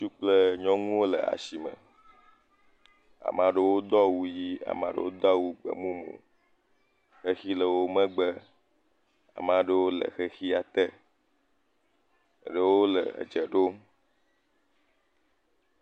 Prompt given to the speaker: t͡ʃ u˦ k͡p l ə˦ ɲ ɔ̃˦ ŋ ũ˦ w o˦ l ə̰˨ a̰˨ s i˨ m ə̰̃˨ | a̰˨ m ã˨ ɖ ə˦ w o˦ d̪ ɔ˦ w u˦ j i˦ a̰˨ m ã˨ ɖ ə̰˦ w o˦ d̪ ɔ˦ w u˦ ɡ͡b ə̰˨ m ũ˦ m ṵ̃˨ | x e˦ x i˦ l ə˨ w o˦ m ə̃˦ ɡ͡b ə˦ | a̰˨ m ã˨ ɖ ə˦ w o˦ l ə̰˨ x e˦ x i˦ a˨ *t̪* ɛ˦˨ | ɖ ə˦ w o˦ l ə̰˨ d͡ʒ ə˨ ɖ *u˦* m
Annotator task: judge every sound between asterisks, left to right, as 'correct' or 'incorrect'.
correct, incorrect: o˦

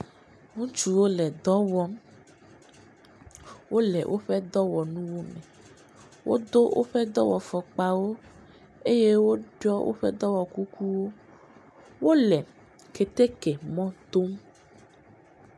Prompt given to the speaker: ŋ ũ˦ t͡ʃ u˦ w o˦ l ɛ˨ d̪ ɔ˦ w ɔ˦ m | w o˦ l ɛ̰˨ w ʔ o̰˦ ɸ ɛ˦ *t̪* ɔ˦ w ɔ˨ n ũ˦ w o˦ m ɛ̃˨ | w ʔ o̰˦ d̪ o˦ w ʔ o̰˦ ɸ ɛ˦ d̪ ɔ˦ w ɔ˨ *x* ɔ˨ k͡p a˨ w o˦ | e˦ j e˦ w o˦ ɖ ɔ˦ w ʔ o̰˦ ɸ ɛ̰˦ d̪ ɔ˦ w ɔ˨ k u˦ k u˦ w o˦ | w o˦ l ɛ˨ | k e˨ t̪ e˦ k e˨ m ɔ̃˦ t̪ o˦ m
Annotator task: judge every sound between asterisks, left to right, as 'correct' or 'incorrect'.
incorrect: d̪, incorrect: f

